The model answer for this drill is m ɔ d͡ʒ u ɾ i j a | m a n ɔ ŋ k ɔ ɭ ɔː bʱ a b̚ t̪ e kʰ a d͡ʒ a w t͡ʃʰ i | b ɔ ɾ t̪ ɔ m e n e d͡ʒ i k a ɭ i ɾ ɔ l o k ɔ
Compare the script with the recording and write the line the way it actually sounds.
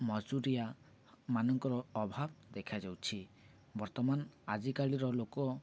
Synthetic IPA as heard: m ɔ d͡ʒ u ɾ i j a | m a n ɔ ŋ k ɔ ɾ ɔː bʱ a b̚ d̪ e kʰ a d͡ʒ a w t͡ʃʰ i | b ɔ ɾ t̪ ɔ m a n a d͡ʒ i k a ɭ i ɾ ɔ l o k ɔ